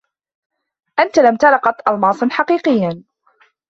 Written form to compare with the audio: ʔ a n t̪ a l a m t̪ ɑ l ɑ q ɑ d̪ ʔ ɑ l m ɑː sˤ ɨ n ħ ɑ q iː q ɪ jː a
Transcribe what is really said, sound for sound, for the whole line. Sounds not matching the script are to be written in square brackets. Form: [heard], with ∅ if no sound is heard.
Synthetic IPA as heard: ʔ a n t̪ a l a m t̪ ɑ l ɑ q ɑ [t̪] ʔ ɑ l m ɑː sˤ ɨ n ħ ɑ q iː q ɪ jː a